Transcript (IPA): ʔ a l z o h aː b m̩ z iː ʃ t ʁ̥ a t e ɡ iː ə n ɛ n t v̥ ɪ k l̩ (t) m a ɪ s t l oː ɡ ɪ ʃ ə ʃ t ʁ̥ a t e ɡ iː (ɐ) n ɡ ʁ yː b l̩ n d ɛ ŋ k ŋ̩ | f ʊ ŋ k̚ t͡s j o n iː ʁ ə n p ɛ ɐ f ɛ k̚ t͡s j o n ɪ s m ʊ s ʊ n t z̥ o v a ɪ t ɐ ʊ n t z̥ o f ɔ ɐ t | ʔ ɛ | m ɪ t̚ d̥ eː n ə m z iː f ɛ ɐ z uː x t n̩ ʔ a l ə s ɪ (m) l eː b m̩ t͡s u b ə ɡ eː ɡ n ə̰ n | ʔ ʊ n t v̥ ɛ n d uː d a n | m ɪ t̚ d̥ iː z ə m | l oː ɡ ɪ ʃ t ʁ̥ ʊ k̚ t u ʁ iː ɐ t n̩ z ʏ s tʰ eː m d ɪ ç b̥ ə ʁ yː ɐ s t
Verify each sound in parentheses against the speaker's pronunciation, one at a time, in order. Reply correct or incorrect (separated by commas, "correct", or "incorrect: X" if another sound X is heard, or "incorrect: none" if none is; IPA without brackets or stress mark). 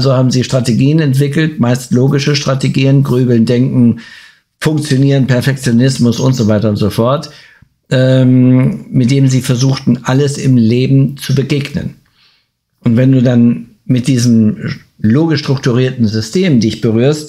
correct, incorrect: ə, correct